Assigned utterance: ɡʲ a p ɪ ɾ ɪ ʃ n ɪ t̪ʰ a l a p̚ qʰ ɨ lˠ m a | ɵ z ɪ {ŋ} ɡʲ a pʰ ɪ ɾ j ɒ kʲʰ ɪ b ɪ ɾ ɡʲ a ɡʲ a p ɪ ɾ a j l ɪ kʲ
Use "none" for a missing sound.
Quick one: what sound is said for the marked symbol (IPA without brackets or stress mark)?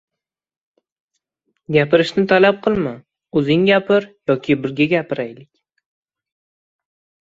ŋ